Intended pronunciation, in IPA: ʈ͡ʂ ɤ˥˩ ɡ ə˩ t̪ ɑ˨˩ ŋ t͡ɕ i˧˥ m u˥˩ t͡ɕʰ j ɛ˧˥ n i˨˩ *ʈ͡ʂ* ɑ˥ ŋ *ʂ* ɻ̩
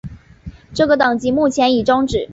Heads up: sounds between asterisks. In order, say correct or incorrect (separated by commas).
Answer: correct, incorrect